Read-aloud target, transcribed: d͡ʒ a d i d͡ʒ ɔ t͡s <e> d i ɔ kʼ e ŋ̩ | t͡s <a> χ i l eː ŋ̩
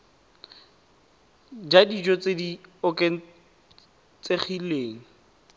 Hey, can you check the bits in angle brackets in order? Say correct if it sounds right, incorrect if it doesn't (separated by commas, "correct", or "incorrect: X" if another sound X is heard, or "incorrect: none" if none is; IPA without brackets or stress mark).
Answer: correct, incorrect: e